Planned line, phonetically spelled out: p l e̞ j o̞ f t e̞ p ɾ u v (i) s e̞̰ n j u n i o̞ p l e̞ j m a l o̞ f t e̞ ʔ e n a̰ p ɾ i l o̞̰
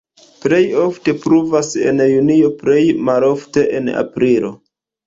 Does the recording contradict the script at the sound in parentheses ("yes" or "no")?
yes